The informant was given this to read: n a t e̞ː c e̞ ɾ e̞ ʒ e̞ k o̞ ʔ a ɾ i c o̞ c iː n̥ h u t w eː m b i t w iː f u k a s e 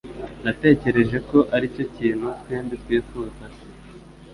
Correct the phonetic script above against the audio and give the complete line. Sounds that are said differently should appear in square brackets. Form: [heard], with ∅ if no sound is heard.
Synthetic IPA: n a t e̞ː c e̞ ɾ e̞ ʒ e̞ k o̞ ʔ a ɾ i c o̞ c iː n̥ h u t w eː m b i t w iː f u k a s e